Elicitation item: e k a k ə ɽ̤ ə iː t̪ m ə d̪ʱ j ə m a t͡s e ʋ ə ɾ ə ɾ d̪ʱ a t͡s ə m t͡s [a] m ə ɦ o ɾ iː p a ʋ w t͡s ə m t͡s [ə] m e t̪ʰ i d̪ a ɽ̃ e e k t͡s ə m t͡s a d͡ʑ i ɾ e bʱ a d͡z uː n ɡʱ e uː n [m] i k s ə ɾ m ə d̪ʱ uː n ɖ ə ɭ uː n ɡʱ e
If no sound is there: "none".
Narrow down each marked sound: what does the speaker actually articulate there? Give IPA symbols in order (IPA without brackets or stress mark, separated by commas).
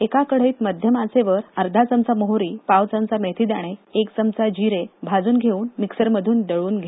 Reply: a, a, m